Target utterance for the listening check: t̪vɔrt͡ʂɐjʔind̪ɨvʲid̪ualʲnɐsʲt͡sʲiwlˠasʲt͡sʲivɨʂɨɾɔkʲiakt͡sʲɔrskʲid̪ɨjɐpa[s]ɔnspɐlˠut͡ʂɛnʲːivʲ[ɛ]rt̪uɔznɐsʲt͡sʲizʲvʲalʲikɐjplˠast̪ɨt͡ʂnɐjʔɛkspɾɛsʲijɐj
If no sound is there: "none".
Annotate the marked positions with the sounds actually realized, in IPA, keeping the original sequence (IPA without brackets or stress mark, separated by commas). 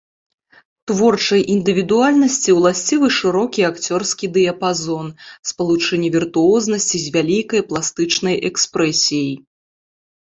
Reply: z, i